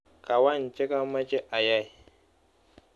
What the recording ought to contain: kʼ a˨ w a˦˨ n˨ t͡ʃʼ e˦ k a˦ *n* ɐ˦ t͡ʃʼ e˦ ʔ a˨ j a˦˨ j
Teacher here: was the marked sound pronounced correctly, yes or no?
no